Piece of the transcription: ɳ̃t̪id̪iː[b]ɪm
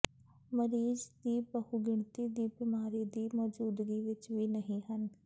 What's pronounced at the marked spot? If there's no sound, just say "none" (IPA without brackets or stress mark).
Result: b